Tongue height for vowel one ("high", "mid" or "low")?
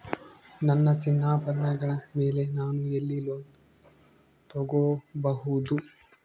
low